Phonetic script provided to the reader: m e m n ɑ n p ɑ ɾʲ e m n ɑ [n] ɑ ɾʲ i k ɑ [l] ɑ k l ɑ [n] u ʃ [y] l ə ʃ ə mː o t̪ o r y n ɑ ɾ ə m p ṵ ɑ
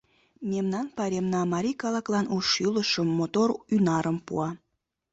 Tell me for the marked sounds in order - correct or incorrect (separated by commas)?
incorrect, correct, correct, correct